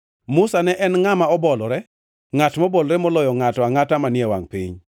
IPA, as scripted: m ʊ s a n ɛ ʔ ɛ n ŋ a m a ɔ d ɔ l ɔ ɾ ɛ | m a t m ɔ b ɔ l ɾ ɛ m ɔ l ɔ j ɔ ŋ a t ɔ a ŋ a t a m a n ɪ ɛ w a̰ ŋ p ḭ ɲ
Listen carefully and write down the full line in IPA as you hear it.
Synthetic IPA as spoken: m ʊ s a n ɛ ʔ ɛ n ŋ a m a ɔ b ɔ l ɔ ɾ ɛ | ŋ a t m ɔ b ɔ l ɾ ɛ m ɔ l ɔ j ɔ ŋ a t ɔ a ŋ a t a m a n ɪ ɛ w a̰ ŋ p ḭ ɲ

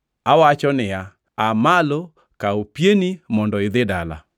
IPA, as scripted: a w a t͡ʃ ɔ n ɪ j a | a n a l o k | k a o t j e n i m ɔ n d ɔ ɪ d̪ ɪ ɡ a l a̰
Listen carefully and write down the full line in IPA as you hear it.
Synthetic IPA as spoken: a w a t͡ʃ ɔ n ɪ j a | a m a l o | k a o p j e n i m ɔ n d ɔ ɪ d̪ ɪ d a l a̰

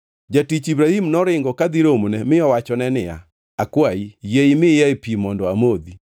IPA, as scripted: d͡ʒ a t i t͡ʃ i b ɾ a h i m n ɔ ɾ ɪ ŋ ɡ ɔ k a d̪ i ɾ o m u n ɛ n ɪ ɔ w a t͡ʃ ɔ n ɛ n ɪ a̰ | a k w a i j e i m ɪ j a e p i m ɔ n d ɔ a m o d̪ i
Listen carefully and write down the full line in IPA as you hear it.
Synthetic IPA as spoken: d͡ʒ a t i t͡ʃ i b ɾ a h i m n ɔ ɾ ɪ ŋ ɡ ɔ k a d̪ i ɾ o m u n ɛ m ɪ ɔ w a t͡ʃ ɔ n ɛ n ɪ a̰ | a k w a i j e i m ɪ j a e p i m ɔ n d ɔ a m o d̪ i

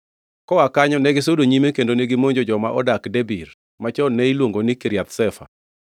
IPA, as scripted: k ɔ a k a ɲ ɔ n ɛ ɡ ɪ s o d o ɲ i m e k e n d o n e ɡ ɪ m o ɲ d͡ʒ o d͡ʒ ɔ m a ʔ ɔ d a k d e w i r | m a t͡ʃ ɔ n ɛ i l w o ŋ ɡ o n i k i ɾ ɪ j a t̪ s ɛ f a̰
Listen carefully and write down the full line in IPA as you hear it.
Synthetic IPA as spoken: k ɔ a k a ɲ ɔ n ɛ ɡ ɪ s o d o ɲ i m e k e n d o n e ɡ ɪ m o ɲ d͡ʒ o d͡ʒ ɔ m a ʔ ɔ d a k d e b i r | m a t͡ʃ ɔ n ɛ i l w o ŋ ɡ o n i k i ɾ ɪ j a t̪ s ɛ f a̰

